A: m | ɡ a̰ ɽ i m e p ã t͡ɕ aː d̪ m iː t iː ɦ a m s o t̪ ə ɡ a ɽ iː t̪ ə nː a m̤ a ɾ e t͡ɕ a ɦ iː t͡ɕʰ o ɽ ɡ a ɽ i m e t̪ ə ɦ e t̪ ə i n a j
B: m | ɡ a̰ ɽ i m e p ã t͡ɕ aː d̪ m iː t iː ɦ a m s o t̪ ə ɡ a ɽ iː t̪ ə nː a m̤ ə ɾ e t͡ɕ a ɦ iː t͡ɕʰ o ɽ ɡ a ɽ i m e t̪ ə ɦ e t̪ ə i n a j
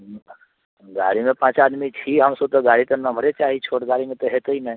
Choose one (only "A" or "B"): B